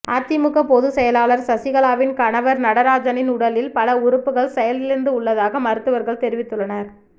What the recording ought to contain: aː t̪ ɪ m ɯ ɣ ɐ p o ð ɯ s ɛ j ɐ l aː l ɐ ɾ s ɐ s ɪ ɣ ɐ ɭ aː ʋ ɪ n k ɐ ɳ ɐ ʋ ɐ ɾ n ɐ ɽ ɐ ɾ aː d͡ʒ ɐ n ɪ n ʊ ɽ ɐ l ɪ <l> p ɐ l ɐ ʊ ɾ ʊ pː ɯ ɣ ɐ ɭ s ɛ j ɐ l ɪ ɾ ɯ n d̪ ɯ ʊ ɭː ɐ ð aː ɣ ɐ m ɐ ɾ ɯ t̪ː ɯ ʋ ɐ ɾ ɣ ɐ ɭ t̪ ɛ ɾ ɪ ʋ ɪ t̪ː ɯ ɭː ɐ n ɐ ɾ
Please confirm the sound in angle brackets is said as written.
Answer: yes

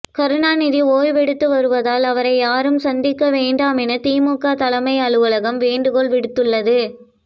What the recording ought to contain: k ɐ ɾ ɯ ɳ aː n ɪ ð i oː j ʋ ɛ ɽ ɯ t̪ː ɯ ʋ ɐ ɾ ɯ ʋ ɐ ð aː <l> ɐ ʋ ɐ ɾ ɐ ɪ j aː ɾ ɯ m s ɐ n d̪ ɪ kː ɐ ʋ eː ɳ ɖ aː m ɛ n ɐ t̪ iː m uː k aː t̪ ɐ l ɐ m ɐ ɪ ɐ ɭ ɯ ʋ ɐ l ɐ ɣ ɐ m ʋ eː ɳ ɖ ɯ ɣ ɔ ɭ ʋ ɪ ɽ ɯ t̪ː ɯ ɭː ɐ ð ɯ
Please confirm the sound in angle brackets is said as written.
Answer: yes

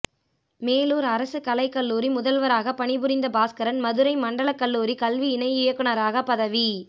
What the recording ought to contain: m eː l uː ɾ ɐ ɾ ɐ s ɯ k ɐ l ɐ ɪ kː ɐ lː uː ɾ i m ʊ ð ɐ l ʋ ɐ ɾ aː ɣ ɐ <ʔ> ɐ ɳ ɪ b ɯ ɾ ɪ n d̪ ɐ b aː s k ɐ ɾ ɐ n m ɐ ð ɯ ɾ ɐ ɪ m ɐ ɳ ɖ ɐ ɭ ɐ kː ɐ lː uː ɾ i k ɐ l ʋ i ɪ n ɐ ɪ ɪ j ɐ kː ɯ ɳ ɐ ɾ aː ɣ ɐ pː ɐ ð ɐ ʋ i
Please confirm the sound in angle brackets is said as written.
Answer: no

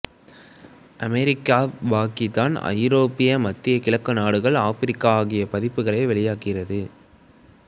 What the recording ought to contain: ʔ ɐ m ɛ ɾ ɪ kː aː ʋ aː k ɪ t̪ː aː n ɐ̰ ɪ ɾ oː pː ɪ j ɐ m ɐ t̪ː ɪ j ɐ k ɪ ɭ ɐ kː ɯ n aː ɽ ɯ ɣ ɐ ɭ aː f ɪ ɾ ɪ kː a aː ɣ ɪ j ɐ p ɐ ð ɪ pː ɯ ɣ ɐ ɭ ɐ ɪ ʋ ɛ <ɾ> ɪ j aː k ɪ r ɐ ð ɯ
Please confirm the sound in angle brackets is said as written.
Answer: no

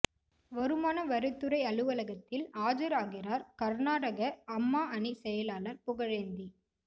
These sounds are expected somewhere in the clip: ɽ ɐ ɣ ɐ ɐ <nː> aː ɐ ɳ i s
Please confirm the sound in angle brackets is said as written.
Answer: no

